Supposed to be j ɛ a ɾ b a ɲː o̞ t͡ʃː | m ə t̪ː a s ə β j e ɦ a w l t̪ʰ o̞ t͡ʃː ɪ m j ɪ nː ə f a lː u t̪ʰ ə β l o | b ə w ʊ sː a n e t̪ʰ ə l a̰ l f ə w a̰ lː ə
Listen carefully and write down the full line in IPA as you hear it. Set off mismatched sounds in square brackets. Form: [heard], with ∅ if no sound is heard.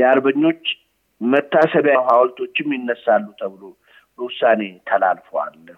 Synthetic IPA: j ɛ a ɾ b [ə] ɲː o̞ t͡ʃː | m ə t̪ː a s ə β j [a] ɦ a w l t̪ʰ o̞ t͡ʃː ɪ m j ɪ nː ə [s] a lː u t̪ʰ ə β l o | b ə w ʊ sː a n e t̪ʰ ə l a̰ l f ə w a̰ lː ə